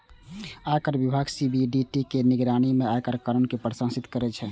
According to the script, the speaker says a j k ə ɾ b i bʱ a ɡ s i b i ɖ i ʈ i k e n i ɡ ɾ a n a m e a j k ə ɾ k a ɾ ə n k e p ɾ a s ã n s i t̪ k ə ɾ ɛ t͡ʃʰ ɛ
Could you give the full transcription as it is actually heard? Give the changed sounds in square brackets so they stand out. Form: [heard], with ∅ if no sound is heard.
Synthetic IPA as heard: a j k ə ɾ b i bʱ a ɡ s i b i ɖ i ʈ i k e n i ɡ ɾ a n [i] m e a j k ə ɾ k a ɾ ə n k e p ɾ [ə] s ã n s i t̪ k ə ɾ ɛ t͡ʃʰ ɛ